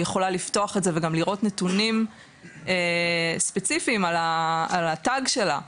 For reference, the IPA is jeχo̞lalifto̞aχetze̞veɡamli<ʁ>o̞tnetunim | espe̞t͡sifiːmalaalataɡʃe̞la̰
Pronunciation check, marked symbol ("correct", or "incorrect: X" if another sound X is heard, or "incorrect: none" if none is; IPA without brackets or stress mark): correct